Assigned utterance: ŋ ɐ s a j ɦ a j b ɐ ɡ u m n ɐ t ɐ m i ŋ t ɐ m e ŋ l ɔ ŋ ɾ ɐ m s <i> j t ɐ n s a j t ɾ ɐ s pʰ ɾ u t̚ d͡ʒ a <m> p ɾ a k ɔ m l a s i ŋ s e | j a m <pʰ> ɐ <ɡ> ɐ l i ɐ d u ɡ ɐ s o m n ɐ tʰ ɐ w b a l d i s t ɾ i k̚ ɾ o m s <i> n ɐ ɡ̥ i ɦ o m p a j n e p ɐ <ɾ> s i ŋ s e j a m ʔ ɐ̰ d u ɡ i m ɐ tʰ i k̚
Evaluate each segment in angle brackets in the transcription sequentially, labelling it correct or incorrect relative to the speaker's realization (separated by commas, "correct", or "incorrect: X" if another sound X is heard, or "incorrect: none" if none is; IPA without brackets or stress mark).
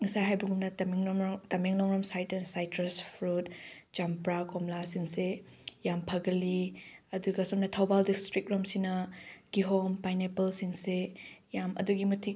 incorrect: a, correct, correct, correct, correct, incorrect: l